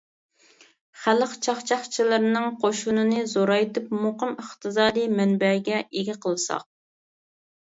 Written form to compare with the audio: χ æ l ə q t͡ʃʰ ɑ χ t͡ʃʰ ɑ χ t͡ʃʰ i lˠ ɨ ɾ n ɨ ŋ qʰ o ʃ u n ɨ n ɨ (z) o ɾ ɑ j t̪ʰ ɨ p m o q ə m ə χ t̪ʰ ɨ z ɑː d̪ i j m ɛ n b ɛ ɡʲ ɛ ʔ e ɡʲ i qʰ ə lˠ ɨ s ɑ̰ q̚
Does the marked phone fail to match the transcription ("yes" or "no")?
no